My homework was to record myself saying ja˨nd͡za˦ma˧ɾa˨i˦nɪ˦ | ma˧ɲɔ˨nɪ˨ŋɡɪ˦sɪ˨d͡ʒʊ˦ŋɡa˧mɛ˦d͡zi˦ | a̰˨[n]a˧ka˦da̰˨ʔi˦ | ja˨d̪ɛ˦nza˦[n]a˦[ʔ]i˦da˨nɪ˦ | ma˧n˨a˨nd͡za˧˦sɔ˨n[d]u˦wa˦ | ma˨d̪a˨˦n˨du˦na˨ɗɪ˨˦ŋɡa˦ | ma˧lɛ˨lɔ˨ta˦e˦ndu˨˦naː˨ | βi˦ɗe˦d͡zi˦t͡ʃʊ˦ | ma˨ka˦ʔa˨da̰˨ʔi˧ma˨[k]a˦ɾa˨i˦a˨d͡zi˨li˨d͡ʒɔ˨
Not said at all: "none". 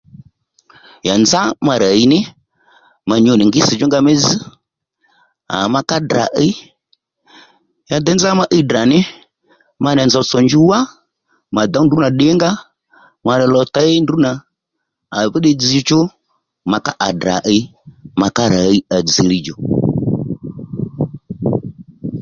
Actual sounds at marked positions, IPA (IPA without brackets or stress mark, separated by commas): m, m, ʔ, d͡ʒ, k